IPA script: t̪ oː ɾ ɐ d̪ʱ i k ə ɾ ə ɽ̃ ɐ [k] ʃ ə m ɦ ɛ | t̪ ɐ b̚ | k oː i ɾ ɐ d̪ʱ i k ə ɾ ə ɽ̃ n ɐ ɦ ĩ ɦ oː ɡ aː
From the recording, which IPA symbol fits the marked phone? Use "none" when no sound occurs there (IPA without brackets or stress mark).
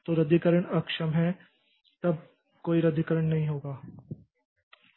k